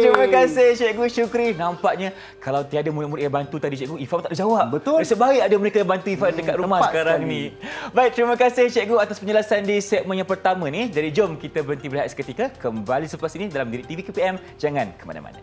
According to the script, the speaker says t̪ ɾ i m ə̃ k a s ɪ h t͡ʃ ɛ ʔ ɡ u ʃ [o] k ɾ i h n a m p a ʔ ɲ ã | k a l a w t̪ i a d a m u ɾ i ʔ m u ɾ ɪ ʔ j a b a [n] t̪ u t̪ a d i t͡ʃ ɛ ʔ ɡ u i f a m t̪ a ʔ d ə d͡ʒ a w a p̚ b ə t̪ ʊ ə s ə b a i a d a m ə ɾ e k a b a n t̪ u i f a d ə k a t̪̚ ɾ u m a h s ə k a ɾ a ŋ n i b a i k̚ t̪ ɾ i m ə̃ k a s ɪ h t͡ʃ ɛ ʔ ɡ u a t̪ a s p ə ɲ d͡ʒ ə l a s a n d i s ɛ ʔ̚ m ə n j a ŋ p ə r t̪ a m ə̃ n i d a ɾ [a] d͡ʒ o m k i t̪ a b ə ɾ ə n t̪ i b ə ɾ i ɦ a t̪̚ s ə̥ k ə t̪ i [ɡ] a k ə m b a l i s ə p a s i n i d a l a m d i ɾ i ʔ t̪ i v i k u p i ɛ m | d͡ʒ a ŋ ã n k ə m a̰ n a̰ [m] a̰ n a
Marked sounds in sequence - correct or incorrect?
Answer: incorrect: u, correct, incorrect: i, incorrect: k, correct

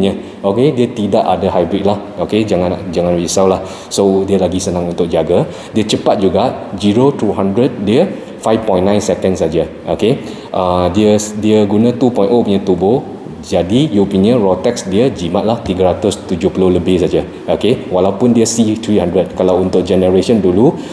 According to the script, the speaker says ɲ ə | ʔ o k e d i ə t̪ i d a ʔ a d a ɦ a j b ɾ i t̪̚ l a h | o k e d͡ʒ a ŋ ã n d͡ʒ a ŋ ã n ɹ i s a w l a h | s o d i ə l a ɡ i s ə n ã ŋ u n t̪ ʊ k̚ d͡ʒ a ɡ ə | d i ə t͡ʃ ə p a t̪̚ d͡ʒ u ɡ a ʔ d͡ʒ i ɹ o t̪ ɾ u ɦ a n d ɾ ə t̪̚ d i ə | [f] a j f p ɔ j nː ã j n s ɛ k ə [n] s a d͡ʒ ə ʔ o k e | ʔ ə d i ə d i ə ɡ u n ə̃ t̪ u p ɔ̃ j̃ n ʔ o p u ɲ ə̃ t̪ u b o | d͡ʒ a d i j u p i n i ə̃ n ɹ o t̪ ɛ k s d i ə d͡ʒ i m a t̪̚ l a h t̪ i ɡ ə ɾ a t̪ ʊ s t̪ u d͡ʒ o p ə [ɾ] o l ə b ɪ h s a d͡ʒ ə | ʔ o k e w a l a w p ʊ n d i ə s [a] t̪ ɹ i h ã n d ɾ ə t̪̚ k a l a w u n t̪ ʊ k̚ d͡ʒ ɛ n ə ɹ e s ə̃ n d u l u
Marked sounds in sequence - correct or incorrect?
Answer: correct, correct, incorrect: l, incorrect: i

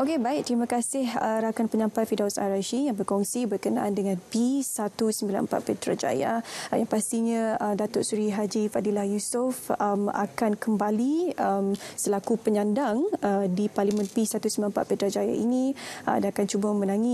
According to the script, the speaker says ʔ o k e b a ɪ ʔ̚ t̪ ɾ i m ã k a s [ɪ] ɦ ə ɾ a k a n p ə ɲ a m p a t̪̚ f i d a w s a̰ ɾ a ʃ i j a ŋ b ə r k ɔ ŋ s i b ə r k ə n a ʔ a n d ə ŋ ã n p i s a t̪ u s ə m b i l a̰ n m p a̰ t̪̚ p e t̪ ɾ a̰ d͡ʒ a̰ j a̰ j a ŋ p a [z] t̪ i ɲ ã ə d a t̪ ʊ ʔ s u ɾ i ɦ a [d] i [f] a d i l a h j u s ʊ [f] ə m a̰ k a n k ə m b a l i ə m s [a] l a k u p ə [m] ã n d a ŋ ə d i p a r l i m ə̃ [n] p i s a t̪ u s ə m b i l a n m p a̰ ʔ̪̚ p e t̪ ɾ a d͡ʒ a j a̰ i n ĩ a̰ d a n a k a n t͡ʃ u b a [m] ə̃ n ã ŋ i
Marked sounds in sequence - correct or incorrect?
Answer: correct, incorrect: s, incorrect: d͡ʒ, correct, correct, incorrect: ə, incorrect: ɲ, correct, correct

